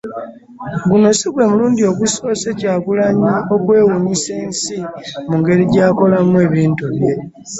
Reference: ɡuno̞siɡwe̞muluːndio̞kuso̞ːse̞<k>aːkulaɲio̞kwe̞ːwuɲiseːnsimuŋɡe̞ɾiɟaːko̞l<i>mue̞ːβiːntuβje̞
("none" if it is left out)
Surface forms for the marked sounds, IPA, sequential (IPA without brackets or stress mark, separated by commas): c, a